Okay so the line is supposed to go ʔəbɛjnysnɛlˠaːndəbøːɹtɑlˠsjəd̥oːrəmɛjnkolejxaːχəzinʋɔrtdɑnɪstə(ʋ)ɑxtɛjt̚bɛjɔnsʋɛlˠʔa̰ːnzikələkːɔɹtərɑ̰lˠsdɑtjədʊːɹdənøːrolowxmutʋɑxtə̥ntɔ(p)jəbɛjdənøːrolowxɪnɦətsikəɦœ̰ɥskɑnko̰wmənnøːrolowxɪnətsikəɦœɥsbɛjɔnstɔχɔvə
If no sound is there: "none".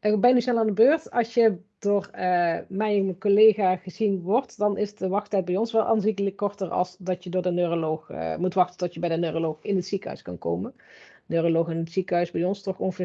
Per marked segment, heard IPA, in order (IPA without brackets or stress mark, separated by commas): ʋ, t